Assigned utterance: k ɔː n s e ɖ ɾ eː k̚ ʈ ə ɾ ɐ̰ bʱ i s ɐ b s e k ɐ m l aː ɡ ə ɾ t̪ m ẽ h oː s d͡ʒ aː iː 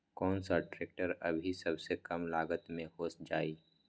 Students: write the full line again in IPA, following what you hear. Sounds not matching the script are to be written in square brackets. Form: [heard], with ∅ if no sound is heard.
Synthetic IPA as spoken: k ɔː n s [a] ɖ ɾ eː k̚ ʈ ə ɾ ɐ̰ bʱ i s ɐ b s e k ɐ m l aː ɡ ə [∅] t̪ m ẽ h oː s d͡ʒ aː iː